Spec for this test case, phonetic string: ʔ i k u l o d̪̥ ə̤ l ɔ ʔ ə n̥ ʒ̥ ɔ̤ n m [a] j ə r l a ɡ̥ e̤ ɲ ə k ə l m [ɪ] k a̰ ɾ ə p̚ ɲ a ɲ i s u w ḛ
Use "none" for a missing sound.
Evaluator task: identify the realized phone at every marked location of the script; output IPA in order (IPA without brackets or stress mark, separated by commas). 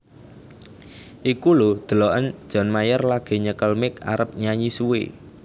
a, ɪ